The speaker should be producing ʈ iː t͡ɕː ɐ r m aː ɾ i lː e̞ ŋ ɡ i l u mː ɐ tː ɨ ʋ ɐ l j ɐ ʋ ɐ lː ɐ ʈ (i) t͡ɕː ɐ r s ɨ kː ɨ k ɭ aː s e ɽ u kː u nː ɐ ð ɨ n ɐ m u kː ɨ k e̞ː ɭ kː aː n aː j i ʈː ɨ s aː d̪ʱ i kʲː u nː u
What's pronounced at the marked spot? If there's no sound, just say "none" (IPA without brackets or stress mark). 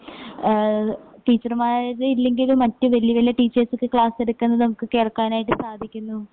iː